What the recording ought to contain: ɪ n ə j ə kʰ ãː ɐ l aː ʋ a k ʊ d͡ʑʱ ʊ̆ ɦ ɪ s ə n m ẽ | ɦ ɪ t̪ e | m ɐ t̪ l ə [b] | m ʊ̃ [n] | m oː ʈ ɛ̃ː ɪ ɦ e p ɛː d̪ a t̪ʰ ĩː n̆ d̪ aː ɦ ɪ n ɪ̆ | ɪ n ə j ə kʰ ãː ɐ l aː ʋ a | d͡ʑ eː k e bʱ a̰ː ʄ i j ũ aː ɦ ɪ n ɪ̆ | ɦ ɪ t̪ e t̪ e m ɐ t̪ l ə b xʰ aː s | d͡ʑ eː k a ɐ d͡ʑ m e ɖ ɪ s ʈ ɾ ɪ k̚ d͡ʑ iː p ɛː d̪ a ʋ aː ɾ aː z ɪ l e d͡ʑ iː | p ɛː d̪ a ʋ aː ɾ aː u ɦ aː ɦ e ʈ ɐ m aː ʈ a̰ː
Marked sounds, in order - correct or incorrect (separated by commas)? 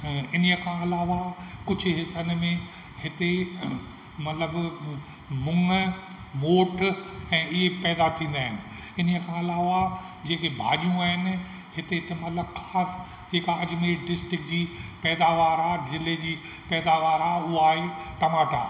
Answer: correct, incorrect